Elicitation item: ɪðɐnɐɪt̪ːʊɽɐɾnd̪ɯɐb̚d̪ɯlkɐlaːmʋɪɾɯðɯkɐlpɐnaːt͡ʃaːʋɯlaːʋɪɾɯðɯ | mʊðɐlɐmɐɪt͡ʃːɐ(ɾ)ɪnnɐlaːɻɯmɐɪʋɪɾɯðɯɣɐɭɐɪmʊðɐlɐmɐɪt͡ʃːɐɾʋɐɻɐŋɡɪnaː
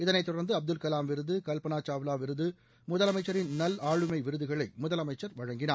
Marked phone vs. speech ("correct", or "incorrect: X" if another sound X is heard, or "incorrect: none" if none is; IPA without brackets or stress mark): correct